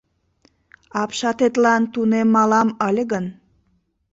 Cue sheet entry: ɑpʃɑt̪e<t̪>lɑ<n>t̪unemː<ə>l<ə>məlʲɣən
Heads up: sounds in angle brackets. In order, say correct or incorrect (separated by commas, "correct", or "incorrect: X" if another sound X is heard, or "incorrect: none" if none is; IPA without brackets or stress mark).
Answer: correct, correct, incorrect: ɑ, incorrect: ɑ